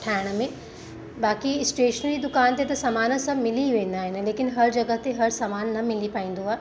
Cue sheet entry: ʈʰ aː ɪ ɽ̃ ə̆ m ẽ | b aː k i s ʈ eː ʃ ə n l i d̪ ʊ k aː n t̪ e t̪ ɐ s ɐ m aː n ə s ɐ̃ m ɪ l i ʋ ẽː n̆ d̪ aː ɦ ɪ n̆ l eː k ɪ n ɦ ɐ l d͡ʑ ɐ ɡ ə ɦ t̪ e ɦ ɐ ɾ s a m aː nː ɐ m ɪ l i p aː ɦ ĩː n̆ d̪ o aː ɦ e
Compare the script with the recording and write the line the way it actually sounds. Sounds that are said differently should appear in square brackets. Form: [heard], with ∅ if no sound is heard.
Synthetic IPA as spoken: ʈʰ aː ɪ ɽ̃ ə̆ m ẽ | b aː k i s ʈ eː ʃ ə n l i d̪ ʊ k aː n t̪ e t̪ ɐ s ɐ m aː n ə s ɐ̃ m ɪ l i ʋ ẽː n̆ d̪ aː ɦ ɪ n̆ l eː k ɪ n ɦ ɐ [ɾ] d͡ʑ ɐ ɡ ə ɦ t̪ e ɦ ɐ ɾ s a m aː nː ɐ m ɪ l i p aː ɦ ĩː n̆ d̪ o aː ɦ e